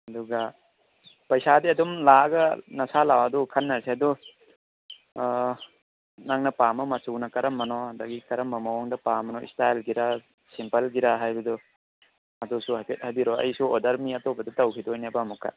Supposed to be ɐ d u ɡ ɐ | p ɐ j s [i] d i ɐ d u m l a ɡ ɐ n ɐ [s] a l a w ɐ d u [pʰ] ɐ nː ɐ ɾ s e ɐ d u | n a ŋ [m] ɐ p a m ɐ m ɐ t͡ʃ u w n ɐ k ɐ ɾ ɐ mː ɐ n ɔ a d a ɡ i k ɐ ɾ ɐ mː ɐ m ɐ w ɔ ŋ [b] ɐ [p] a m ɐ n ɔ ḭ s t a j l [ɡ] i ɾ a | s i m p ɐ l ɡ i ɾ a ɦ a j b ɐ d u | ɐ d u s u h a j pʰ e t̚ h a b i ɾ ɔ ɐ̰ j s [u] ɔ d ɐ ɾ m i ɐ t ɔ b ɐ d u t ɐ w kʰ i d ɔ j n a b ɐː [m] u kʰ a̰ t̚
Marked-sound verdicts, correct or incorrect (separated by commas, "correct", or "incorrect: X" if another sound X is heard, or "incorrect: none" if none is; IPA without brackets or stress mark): incorrect: a, correct, incorrect: kʰ, incorrect: n, incorrect: d, correct, correct, correct, correct